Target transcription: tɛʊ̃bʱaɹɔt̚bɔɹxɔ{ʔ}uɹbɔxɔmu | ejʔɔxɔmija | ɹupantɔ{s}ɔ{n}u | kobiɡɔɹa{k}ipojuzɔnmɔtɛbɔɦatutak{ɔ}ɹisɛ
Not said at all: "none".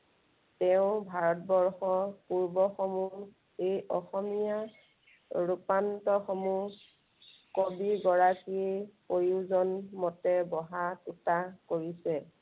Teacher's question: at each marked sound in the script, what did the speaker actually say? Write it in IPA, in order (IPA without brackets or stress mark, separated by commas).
p, x, m, k, o